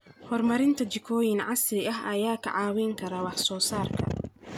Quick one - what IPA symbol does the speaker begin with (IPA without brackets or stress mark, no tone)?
h